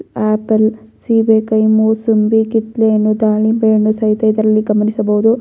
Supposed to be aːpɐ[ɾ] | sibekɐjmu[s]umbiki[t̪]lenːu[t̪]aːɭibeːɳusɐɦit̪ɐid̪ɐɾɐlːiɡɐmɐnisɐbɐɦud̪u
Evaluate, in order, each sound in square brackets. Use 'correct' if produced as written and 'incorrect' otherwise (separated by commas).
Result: incorrect, correct, correct, incorrect